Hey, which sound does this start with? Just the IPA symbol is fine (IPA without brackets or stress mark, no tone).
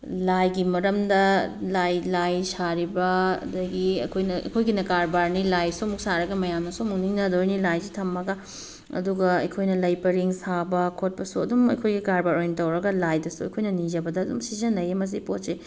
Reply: l